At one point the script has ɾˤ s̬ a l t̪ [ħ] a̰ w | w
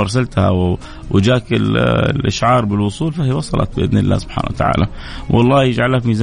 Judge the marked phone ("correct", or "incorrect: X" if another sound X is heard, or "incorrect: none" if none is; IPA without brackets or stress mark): incorrect: h